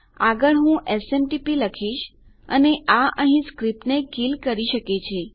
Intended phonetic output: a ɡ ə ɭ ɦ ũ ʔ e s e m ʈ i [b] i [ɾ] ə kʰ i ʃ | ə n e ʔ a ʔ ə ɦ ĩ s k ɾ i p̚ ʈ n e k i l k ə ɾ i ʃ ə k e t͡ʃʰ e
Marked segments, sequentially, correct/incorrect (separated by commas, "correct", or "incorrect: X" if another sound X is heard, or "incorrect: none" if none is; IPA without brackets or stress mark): incorrect: p, incorrect: l